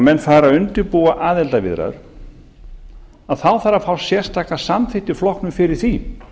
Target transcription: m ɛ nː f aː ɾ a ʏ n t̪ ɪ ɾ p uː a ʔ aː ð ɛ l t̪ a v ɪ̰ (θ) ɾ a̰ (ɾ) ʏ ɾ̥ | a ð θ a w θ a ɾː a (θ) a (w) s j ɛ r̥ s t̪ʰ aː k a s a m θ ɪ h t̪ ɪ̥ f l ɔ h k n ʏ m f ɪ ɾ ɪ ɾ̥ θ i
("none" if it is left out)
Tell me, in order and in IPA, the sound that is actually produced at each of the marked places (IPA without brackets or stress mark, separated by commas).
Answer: ð, none, f, w